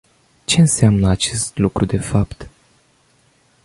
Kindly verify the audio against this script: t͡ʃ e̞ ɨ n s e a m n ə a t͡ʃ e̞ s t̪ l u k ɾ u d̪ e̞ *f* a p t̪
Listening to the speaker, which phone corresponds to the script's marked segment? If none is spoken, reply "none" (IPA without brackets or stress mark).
f